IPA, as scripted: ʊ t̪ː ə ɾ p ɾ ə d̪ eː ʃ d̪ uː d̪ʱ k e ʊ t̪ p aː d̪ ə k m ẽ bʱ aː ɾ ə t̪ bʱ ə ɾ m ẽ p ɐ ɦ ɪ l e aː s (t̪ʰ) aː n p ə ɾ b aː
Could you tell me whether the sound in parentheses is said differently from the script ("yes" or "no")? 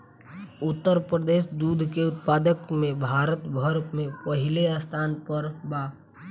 no